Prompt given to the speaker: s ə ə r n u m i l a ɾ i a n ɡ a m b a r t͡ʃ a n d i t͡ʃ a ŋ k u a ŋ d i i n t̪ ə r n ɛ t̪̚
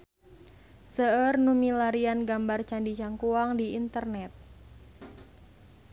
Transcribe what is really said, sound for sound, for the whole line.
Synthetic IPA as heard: s ə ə r n u m i l a ɾ i a n ɡ a m b a r t͡ʃ a n d i t͡ʃ a ŋ k u a ŋ d i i n t̪ ə r n ɛ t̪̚